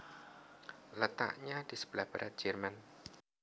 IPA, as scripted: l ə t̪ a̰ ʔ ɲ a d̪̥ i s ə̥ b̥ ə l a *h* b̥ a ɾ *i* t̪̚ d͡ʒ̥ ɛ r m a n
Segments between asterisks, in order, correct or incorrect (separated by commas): correct, incorrect